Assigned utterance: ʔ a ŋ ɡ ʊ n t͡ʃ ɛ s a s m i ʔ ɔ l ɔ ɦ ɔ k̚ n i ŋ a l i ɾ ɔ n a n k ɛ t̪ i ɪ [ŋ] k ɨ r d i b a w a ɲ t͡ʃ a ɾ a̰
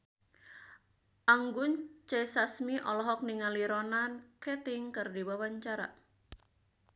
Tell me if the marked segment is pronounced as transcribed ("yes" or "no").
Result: yes